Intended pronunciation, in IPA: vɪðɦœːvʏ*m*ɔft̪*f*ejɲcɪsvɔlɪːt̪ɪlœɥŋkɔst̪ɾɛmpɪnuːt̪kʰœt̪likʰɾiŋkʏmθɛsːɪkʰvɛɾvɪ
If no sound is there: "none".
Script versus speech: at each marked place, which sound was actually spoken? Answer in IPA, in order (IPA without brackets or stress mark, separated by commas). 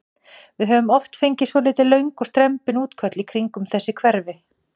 m, f